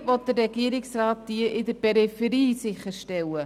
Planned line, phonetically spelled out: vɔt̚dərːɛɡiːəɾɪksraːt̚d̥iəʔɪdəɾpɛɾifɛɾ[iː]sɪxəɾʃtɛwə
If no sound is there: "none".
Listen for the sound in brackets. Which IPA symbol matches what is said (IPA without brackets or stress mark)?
iː